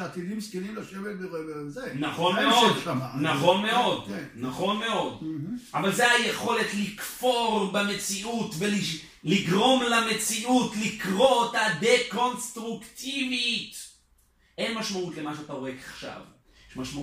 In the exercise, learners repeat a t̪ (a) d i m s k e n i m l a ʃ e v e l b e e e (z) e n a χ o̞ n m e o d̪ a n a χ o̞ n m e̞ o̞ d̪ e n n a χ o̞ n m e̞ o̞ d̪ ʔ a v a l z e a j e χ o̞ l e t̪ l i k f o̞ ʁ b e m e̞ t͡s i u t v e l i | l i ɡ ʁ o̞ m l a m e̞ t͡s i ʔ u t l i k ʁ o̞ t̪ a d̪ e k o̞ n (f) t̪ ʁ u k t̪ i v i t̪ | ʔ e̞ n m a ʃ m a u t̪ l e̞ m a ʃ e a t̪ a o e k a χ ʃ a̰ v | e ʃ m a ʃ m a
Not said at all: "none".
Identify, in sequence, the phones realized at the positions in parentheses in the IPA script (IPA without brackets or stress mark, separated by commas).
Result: i, z, s